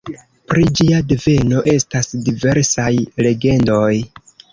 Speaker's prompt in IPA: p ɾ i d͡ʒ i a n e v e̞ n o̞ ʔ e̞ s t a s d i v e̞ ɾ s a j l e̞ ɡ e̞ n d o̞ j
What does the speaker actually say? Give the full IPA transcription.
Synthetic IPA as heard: p ɾ i d͡ʒ i a d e v e̞ n o̞ ʔ e̞ s t a s d i v e̞ ɾ s a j l e̞ ɡ e̞ n d o̞ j